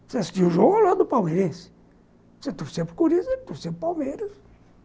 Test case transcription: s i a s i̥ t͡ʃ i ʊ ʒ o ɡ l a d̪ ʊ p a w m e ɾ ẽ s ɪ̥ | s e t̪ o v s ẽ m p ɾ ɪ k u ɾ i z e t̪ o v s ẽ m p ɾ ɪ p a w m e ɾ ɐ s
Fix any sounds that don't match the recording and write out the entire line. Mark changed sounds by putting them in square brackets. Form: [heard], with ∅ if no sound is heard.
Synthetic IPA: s [e] a s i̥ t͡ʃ i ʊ ʒ o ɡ l a d̪ ʊ p a w m e ɾ ẽ s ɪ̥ | s e t̪ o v s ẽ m p ɾ ɪ k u ɾ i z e t̪ o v s ẽ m p ɾ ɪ p a w m e ɾ ɐ s